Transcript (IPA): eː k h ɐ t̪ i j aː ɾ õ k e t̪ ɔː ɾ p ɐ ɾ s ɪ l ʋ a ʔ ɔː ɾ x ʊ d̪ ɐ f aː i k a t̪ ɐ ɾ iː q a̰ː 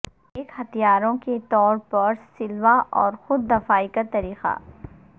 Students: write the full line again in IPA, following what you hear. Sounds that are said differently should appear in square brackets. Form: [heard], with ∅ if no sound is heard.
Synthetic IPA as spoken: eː k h ɐ t̪ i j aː ɾ õ k e t̪ ɔː ɾ p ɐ ɾ s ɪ l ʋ a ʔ ɔː ɾ x ʊ [d̪ː] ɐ f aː i k a t̪ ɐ ɾ iː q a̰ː